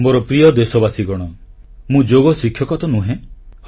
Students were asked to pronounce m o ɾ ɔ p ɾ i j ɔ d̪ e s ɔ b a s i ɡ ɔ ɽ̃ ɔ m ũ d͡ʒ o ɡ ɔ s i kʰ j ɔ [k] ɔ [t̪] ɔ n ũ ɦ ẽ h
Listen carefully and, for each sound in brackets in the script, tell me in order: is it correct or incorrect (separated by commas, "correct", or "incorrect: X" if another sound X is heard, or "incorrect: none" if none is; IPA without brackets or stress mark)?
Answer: correct, correct